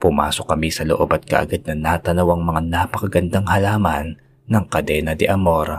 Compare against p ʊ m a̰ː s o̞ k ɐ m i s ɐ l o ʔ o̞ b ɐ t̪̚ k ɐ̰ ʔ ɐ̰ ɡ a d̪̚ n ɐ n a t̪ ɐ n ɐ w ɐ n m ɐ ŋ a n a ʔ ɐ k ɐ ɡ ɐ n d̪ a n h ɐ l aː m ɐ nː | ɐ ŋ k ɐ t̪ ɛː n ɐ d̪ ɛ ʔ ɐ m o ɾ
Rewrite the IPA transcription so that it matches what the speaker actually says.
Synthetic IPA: p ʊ m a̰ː s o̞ k ɐ m i s ɐ l o ʔ o̞ b ɐ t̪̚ k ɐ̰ ʔ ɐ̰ ɡ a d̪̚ n ɐ n a t̪ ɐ n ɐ w ɐ ŋ m ɐ ŋ a n a p ɐ k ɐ ɡ ɐ n d̪ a ŋ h ɐ l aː m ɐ nː | ɐ ŋ k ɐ d̪ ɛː n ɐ d̪ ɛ ʔ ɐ m o ɾ